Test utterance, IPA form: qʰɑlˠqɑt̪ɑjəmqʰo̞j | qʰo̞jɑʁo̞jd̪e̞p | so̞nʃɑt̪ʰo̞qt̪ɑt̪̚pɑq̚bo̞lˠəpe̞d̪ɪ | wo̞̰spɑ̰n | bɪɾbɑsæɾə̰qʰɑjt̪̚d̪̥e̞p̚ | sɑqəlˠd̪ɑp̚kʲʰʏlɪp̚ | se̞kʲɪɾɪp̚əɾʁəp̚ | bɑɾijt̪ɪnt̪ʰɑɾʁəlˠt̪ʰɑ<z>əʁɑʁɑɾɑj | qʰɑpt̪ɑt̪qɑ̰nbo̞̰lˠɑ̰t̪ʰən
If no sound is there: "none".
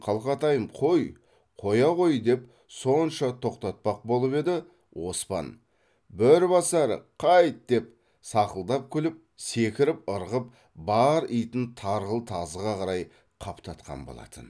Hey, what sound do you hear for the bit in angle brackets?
z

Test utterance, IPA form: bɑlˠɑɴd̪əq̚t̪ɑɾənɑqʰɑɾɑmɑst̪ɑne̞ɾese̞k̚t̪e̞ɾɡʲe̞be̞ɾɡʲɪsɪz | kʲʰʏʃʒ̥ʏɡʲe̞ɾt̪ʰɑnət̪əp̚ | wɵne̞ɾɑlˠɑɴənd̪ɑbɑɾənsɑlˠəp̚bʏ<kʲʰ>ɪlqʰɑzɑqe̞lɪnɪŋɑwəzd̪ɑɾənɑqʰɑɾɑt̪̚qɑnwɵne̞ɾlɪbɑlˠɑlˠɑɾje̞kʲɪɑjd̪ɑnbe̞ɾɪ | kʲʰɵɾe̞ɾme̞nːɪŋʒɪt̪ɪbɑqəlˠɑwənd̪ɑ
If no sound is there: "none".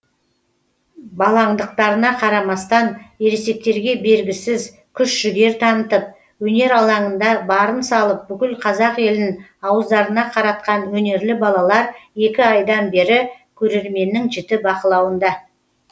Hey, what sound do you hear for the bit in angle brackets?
kʲ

